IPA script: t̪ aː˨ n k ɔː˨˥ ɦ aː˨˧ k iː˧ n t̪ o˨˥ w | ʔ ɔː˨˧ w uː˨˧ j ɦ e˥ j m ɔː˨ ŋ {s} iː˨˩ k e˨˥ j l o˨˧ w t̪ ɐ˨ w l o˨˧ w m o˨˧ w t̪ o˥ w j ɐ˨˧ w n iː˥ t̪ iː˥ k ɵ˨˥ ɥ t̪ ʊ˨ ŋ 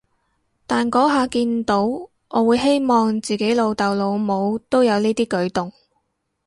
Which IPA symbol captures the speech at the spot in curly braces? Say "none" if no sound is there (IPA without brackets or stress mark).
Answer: t͡s